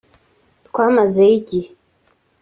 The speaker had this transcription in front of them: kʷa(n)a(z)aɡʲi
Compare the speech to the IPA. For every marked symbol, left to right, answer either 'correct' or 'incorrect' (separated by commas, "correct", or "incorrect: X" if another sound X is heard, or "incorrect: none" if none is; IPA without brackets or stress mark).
incorrect: m, correct